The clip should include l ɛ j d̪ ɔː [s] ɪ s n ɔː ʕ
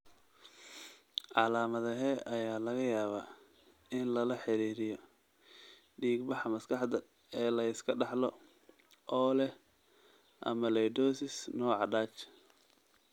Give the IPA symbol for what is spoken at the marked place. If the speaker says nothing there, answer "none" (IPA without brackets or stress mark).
s